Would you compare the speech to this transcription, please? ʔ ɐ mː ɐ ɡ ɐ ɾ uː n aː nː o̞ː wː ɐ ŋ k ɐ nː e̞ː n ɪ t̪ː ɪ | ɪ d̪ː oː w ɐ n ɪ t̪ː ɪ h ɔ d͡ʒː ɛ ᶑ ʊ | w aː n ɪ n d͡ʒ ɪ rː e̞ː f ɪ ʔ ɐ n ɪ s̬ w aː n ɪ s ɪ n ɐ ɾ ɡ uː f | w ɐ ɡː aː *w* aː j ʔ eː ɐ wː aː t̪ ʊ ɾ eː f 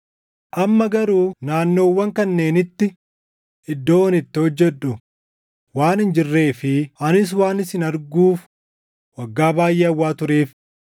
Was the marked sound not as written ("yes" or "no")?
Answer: yes